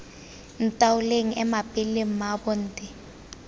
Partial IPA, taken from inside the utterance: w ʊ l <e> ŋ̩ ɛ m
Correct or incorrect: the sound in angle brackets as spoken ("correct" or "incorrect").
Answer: correct